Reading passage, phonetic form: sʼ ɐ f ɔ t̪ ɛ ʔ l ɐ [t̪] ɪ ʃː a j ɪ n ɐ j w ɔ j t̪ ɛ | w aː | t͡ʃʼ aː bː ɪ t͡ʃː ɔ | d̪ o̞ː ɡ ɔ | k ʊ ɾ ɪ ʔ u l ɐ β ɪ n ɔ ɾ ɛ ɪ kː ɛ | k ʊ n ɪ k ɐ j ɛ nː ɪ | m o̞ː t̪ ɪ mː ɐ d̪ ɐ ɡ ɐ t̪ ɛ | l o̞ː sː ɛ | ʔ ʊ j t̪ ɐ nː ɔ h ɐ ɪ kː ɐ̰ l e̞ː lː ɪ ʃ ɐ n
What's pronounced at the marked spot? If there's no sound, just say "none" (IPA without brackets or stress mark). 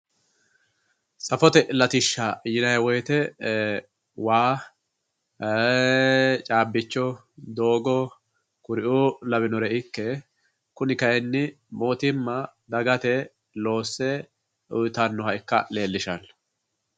t̪